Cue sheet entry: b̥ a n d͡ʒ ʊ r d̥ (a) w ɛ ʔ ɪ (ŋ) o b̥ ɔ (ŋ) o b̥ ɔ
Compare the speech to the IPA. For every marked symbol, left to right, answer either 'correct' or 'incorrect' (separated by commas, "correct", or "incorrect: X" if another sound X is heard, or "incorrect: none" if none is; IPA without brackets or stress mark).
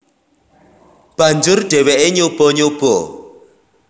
incorrect: ɛ, incorrect: ɲ, incorrect: ɲ